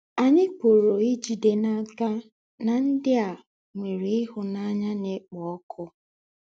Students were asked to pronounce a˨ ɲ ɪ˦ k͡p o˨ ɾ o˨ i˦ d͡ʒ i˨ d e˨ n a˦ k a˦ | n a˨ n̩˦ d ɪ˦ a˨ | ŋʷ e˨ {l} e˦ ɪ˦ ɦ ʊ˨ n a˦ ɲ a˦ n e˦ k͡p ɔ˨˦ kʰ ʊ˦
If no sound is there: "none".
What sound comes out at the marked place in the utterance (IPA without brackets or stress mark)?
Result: ɾ